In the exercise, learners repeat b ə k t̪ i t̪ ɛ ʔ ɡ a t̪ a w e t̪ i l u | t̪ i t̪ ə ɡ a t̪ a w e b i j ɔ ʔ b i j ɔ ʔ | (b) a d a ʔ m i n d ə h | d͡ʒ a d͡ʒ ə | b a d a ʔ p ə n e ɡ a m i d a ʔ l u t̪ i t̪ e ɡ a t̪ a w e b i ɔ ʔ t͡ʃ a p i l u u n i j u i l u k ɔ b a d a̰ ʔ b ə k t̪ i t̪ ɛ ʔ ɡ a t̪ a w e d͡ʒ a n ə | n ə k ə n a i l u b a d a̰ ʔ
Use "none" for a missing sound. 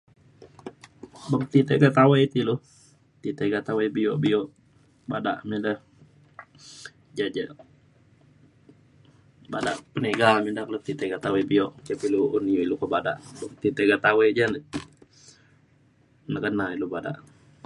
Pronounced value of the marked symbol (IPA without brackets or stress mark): b